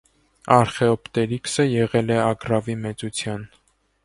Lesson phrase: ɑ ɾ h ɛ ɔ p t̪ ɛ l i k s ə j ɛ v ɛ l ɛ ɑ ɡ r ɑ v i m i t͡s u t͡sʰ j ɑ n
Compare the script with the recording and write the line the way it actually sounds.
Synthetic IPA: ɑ ɾ χ ɛ ɔ p t̪ ɛ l i k s ə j ɛ ʁ ɛ l ɛ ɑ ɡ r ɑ v i m ɛ t͡s u t͡sʰ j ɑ n